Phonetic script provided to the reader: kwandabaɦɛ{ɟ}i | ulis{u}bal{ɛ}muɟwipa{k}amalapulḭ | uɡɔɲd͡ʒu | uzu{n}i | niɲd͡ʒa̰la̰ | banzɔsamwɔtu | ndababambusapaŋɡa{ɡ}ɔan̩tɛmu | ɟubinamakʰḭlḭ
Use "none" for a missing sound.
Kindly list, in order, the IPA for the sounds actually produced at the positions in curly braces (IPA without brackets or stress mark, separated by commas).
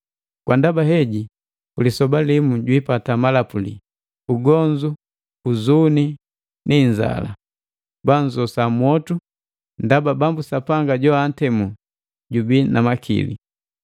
ɟ, ɔ, i, t, n, ɟ